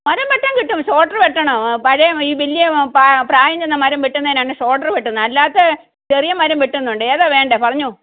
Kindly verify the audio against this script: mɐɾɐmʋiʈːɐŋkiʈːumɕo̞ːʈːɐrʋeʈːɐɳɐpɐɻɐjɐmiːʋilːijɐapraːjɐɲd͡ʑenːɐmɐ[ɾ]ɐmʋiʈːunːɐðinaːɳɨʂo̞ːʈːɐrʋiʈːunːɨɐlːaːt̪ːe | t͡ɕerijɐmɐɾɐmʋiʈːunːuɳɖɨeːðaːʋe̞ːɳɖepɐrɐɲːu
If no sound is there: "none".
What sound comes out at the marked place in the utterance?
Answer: ɾ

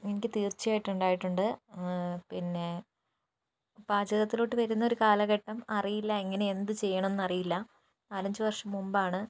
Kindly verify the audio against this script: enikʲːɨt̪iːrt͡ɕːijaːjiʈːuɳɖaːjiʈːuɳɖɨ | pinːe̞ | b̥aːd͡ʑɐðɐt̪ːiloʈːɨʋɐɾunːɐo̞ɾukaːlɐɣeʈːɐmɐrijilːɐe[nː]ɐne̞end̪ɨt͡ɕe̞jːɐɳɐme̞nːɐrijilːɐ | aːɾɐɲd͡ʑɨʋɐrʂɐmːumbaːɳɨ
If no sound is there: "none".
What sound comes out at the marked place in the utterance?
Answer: ŋː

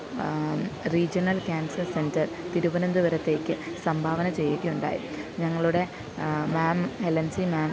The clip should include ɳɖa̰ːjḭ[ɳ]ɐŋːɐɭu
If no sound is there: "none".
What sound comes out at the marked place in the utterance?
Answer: ɲ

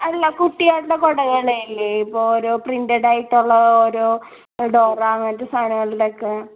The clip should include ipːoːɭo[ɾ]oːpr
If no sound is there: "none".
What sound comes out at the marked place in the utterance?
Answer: ɾ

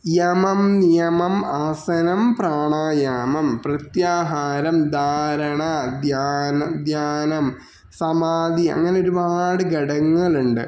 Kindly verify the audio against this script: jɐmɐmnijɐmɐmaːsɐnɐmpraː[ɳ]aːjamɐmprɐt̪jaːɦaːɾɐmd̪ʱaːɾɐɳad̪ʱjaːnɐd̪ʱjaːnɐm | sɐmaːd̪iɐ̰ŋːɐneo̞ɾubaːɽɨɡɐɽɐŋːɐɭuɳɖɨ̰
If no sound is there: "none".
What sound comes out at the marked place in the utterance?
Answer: ɳ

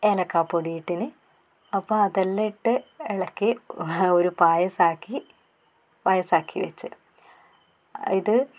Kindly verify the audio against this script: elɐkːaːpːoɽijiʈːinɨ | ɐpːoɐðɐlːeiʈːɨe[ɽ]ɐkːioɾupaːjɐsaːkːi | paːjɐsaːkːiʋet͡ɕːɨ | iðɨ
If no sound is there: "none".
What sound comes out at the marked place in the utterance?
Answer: ɭ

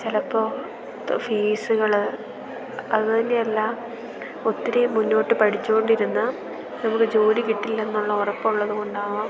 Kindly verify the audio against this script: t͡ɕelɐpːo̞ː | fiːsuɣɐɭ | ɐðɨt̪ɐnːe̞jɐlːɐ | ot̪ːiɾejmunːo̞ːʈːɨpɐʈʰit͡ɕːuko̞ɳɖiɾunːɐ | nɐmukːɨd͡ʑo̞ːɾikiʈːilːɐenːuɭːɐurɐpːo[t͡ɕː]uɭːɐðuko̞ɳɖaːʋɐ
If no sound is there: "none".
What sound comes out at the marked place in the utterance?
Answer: none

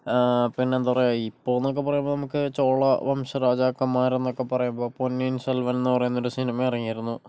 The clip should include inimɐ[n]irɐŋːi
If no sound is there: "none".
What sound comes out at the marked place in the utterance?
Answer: none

